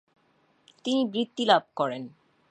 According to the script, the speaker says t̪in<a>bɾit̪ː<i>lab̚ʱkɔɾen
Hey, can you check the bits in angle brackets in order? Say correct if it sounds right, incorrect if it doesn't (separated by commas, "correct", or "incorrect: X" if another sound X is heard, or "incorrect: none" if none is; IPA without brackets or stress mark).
incorrect: i, correct